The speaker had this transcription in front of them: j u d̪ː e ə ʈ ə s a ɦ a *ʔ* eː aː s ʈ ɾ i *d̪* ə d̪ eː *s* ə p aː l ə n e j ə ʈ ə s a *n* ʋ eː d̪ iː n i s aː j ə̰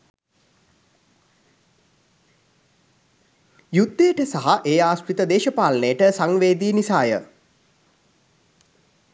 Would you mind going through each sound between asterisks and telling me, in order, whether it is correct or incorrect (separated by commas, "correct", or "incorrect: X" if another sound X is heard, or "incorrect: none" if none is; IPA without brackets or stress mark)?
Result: correct, incorrect: t̪, incorrect: ʃ, incorrect: ŋ